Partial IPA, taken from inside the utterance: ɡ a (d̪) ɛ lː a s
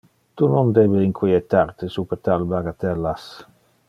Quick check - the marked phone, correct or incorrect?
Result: incorrect